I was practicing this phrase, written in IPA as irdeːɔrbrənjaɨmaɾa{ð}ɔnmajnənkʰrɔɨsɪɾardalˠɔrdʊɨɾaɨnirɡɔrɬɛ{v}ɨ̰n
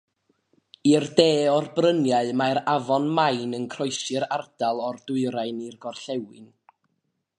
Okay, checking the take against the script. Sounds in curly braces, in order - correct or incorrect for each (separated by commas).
incorrect, incorrect